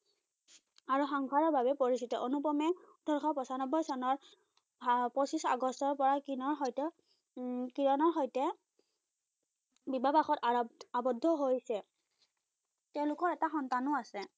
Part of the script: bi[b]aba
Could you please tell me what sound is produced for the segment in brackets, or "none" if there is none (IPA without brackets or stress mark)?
b